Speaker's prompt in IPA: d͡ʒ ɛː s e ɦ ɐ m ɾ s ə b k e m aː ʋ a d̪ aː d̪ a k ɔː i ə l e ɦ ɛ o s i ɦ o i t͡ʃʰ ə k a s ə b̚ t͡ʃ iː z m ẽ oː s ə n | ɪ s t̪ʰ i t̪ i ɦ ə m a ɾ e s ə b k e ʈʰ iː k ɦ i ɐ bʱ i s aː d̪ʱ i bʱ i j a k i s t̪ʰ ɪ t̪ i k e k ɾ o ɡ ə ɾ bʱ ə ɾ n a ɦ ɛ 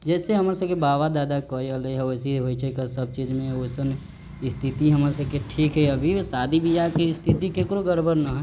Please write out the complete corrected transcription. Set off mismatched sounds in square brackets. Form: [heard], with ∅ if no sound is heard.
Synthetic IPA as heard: d͡ʒ ɛː s e ɦ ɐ m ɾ s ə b k e [b] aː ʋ a d̪ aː d̪ a k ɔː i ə l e ɦ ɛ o s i ɦ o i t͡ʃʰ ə k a s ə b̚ t͡ʃ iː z m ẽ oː s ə n | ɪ s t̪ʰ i t̪ i ɦ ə m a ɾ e s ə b k e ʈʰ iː k ɦ [ɛ] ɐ bʱ i s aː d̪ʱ i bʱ i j a k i s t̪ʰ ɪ t̪ i k e k ɾ o ɡ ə ɾ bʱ ə ɾ n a ɦ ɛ